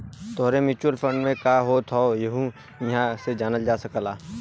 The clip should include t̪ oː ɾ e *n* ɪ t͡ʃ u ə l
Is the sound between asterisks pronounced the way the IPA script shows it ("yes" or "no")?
no